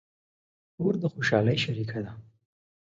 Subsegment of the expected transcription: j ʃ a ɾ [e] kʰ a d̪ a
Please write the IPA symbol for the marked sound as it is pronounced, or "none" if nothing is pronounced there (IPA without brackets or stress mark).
i